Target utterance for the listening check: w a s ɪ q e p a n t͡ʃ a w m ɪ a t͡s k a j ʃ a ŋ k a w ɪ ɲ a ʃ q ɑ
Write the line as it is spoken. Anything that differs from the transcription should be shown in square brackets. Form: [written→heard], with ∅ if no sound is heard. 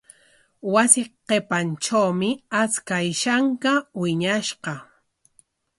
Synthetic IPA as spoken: w a s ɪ q e p a n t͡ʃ a w m ɪ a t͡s k a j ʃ a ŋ k a w ɪ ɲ a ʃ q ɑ